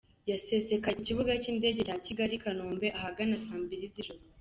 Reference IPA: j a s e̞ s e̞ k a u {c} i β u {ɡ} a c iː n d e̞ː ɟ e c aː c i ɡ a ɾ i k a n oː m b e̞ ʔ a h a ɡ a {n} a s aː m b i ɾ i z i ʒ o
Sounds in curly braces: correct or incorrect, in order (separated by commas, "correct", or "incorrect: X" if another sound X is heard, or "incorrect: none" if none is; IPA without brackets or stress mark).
correct, correct, correct